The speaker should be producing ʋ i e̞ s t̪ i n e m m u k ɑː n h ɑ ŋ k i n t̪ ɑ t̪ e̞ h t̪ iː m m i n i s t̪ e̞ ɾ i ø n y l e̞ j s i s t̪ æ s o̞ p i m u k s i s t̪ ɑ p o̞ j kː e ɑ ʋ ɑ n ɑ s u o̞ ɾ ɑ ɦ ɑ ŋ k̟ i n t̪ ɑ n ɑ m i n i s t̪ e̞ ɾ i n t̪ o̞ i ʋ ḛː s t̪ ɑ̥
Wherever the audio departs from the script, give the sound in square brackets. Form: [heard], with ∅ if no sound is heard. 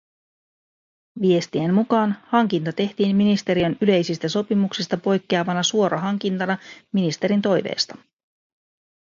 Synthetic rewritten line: ʋ i e̞ s t̪ i [∅] e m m u k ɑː n h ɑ ŋ k i n t̪ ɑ t̪ e̞ h t̪ iː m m i n i s t̪ e̞ ɾ i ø n y l e̞ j s i s t̪ æ s o̞ p i m u k s i s t̪ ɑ p o̞ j kː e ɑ ʋ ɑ n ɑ s u o̞ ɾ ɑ ɦ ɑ ŋ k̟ i n t̪ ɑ n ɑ m i n i s t̪ e̞ ɾ i n t̪ o̞ [j] ʋ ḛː s t̪ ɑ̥